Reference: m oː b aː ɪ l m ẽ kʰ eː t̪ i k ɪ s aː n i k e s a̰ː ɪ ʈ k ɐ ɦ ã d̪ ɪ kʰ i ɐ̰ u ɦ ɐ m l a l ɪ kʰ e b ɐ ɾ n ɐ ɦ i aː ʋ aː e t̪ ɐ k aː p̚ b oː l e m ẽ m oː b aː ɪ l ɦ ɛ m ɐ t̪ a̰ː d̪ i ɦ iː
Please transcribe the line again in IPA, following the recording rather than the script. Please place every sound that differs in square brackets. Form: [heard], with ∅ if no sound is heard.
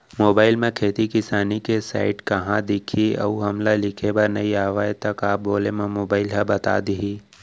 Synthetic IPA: m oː b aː ɪ l m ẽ kʰ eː t̪ i k ɪ s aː n i k e s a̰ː ɪ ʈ k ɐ ɦ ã d̪ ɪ kʰ i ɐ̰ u ɦ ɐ m l a l ɪ kʰ e b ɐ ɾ n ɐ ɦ i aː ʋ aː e t̪ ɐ k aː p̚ b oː l e m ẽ m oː b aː ɪ l ɦ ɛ [b] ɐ t̪ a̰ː d̪ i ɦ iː